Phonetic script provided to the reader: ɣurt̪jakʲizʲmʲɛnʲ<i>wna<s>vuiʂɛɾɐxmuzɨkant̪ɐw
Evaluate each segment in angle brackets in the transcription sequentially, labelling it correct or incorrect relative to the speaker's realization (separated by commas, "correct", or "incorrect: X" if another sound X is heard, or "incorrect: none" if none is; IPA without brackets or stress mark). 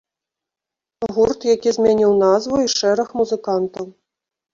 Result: correct, incorrect: z